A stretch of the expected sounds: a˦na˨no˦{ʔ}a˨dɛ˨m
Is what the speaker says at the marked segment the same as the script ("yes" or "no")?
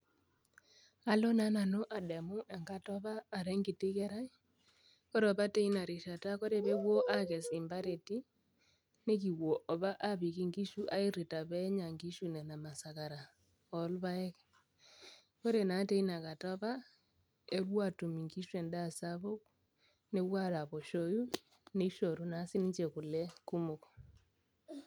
yes